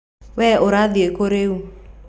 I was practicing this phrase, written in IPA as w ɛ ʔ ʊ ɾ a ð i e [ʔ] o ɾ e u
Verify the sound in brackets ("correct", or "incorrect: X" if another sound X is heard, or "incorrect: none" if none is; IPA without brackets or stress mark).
incorrect: k